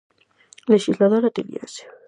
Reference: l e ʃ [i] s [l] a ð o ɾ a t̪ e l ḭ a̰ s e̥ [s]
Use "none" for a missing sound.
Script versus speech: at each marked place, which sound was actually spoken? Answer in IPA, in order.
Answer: i, l, none

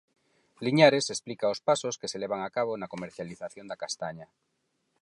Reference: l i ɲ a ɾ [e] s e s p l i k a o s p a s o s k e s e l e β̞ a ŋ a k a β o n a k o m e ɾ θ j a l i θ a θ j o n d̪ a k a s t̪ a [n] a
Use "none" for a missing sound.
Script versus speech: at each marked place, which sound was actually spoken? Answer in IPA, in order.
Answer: e, ɲ

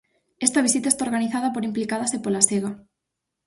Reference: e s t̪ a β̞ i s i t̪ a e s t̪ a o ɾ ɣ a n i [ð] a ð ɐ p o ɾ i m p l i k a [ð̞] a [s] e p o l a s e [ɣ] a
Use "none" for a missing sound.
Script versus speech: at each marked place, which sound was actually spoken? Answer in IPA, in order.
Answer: θ, ð̞, s, ɣ

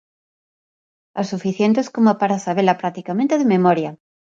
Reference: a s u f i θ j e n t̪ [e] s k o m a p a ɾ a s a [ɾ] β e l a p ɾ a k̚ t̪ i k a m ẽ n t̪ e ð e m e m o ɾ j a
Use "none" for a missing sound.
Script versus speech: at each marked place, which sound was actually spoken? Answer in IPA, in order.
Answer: e, none

